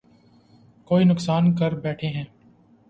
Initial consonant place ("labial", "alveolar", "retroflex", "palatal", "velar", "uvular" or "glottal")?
velar